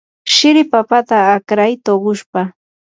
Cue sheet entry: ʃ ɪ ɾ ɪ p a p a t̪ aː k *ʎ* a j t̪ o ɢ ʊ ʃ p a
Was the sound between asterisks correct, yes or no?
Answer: no